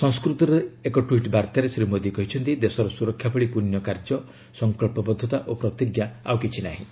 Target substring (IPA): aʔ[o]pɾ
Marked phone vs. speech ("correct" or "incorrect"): correct